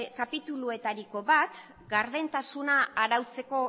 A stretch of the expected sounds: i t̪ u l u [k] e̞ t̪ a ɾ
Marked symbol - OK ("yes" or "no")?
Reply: no